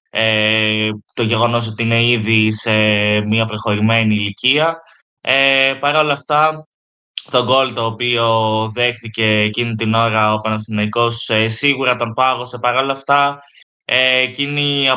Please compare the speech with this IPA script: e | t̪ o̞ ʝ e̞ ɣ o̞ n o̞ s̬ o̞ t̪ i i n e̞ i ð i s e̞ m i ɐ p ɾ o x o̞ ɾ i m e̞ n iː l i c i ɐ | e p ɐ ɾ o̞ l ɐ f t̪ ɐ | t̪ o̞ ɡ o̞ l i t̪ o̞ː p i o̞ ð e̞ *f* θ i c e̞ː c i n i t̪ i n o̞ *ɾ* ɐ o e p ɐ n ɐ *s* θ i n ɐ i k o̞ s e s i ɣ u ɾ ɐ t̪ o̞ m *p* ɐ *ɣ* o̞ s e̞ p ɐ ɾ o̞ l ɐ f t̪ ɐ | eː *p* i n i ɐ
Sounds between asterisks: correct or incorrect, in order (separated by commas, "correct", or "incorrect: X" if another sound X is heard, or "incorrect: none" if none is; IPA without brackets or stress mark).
incorrect: x, correct, correct, correct, correct, incorrect: c